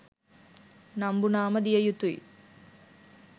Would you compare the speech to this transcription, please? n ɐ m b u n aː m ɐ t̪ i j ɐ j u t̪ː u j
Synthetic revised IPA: n ɐ m b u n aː m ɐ d̪ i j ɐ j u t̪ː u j